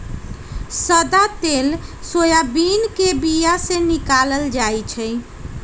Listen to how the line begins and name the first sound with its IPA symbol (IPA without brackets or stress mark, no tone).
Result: s